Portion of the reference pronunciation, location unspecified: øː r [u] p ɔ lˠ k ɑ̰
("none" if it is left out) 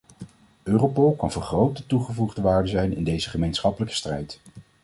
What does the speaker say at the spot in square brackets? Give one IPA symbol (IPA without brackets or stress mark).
o